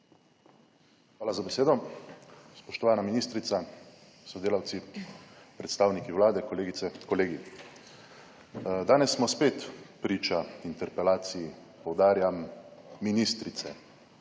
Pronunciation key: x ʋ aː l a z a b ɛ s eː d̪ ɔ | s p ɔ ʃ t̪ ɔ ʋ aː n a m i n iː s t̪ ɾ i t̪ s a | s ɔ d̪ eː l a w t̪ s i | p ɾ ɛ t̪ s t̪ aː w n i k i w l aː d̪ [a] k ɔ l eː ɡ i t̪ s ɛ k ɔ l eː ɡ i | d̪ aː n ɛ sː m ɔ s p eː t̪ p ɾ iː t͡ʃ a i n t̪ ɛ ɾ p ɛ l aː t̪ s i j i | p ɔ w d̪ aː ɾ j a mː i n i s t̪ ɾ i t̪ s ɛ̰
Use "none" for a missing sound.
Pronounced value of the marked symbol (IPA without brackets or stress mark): ɛ